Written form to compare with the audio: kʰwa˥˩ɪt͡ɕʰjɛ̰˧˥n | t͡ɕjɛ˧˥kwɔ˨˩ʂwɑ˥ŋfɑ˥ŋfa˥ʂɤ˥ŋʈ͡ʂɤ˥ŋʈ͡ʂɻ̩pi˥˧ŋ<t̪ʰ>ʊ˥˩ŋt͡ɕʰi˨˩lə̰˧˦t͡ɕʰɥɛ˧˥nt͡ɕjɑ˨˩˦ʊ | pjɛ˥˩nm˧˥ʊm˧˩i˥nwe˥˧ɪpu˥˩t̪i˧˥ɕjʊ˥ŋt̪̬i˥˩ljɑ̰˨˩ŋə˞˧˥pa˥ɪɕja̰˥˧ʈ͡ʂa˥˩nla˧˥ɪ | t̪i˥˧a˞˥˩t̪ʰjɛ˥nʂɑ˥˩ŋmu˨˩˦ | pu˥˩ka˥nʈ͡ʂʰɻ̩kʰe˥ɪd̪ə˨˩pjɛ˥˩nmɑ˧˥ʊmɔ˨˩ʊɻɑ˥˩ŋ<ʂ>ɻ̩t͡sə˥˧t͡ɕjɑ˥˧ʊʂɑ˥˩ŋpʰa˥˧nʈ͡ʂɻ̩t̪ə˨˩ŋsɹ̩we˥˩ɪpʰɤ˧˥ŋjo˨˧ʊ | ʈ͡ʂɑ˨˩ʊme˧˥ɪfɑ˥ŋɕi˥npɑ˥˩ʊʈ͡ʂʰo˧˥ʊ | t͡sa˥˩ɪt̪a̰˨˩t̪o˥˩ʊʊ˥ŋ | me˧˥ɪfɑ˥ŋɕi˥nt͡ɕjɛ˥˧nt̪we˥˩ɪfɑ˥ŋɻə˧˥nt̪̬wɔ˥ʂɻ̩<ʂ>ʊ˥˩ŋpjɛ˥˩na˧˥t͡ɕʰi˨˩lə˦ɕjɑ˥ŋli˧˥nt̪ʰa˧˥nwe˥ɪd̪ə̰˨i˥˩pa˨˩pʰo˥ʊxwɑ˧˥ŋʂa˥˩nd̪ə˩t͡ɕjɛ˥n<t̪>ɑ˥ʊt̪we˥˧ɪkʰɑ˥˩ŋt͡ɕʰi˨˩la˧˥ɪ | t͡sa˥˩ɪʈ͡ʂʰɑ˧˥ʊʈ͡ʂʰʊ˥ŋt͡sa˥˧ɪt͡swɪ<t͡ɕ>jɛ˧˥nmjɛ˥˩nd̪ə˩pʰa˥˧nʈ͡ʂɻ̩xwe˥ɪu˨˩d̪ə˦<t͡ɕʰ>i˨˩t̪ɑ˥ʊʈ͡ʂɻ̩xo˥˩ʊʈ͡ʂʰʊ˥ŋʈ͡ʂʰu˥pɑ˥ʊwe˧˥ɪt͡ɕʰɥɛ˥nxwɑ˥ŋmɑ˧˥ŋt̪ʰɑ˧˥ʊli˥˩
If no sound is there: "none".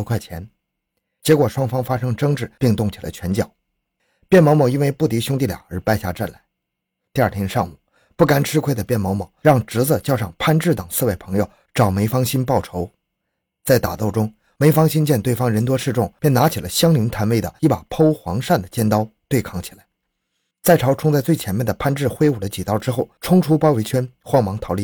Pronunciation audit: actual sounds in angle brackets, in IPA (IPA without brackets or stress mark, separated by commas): t̪, ʈ͡ʂ, ʈ͡ʂ, t̪, t͡ɕʰ, t͡ɕ